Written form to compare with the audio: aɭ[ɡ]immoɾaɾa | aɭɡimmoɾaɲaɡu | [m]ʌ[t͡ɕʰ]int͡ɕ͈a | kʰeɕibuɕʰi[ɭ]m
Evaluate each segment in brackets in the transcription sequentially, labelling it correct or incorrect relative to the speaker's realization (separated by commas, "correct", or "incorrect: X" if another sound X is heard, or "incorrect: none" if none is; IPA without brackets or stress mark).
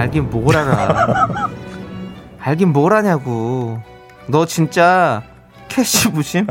correct, incorrect: n, incorrect: t͡ɕ, incorrect: none